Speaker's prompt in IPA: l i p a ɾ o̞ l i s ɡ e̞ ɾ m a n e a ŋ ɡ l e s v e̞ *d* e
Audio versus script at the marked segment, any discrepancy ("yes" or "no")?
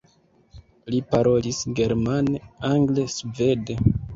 no